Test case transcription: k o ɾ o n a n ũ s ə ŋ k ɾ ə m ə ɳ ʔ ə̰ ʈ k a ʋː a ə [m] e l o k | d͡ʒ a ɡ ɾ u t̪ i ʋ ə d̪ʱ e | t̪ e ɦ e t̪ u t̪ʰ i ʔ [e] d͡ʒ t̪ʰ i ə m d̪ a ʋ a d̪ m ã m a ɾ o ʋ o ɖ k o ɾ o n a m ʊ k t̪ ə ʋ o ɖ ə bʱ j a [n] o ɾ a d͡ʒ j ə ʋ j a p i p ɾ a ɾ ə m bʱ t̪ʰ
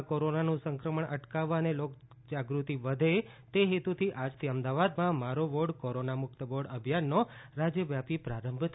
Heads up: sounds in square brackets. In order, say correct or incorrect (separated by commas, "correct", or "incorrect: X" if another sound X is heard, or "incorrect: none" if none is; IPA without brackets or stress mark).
incorrect: n, incorrect: a, incorrect: nː